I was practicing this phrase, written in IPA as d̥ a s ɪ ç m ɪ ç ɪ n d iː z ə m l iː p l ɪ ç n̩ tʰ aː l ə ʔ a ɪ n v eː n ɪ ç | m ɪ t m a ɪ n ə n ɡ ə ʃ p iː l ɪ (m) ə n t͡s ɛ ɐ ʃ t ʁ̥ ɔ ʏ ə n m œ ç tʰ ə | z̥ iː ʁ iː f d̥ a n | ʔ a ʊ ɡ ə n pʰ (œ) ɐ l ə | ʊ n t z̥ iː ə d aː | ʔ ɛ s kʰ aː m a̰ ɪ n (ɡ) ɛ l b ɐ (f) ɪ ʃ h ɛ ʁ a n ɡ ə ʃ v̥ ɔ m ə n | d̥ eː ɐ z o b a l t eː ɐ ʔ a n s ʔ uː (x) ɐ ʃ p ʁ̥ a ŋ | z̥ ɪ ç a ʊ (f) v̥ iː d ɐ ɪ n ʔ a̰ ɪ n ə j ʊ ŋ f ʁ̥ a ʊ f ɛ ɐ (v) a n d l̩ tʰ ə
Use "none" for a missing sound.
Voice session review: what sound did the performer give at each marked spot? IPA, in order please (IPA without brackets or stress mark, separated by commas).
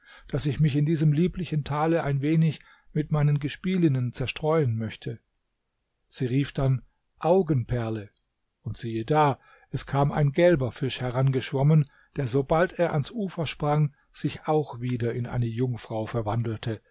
n, ɛ, ɡ, f, f, x, v